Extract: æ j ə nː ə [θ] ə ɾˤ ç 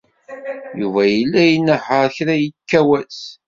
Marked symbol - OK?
no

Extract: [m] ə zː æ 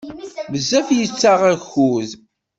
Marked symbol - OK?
yes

